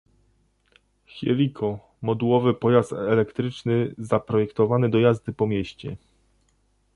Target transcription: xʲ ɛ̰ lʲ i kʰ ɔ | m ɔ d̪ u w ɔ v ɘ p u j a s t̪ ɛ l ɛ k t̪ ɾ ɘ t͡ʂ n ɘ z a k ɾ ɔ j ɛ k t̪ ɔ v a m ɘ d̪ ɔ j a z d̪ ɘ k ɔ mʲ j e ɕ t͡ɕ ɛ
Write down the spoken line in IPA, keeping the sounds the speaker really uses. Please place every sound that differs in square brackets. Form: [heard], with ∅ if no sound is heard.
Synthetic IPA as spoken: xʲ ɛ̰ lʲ i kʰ ɔ | m ɔ d̪ u w ɔ v ɘ p [ɔ] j a s t̪ ɛ l ɛ k t̪ ɾ ɘ t͡ʂ n ɘ z a [p] ɾ ɔ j ɛ k t̪ ɔ v a [n] ɘ d̪ ɔ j a z d̪ ɘ [p] ɔ mʲ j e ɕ t͡ɕ ɛ